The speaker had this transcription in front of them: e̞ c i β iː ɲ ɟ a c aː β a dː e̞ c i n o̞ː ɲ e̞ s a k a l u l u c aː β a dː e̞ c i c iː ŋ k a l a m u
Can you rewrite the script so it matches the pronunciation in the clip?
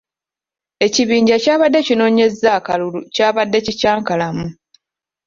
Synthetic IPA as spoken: e̞ c i β iː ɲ ɟ a c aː β a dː e̞ c i n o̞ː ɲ e̞ z a k a l u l u c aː β a dː e̞ c i c aː ŋ k a l a m u